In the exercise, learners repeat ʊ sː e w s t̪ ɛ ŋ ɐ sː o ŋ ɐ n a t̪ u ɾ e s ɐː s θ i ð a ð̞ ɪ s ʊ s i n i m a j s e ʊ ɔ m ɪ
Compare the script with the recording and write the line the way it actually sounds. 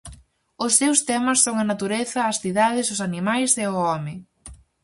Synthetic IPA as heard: ʊ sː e w s t̪ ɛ m ɐ sː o ŋ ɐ n a t̪ u ɾ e θ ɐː s θ i ð a ð̞ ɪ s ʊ s a n i m a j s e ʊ ɔ m ɪ